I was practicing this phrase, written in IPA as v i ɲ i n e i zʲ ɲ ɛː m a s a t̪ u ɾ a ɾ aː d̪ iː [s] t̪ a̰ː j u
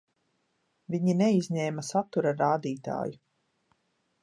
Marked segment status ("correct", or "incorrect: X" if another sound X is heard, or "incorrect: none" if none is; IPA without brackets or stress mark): incorrect: none